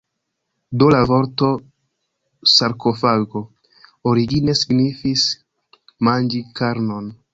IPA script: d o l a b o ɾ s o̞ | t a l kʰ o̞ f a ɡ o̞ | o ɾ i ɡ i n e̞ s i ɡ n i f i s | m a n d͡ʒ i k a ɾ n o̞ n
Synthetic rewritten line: d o l a v o ɾ t o̞ | s a ɾ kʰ o̞ f a ɡ o̞ | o ɾ i ɡ i n e̞ s i ɡ n i f i s | m a n d͡ʒ i k a ɾ n o̞ n